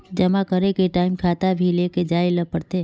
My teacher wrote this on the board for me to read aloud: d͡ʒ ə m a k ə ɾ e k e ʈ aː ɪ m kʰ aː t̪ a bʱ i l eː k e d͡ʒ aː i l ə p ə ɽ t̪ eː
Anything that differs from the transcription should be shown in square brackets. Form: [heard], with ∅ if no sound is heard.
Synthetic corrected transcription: d͡ʒ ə m a k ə ɾ e k e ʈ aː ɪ m kʰ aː t̪ a bʱ i l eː k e d͡ʒ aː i l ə p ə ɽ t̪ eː